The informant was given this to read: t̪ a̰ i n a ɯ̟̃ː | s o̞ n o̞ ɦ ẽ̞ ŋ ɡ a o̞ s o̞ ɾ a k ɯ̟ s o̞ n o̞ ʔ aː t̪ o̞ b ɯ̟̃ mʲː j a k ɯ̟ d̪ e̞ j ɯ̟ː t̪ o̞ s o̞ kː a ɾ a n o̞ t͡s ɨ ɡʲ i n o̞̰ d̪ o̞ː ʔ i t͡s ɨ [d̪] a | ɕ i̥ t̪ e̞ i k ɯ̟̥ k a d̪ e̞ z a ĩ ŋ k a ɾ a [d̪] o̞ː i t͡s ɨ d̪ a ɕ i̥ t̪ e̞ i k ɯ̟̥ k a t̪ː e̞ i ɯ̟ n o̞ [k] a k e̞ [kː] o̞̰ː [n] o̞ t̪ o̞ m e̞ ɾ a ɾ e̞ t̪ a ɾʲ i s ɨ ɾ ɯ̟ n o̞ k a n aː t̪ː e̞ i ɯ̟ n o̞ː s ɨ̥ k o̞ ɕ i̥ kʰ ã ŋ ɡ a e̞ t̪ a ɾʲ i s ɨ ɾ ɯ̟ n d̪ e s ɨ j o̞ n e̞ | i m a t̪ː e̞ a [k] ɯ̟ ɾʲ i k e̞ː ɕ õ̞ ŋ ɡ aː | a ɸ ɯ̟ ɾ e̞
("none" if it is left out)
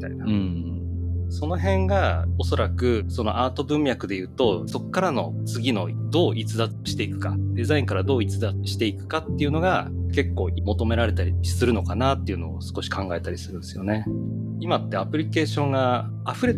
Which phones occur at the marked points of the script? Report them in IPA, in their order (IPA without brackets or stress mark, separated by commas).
d̪, d̪, ɡ, kː, m, p